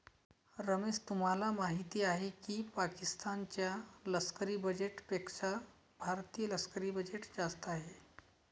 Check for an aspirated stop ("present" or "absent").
absent